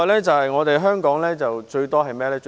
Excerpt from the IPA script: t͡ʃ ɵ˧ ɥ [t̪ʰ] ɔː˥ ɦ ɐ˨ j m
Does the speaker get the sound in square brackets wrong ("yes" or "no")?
yes